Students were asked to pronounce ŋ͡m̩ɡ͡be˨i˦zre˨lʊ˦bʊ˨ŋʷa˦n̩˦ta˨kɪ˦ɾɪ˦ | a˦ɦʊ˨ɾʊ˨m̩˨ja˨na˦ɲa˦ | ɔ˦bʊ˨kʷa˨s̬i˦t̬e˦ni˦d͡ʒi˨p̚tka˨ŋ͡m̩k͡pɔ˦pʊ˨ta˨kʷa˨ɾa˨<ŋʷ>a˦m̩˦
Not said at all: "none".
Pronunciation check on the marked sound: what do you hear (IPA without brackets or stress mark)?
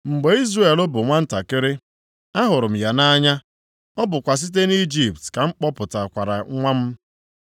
ŋʷ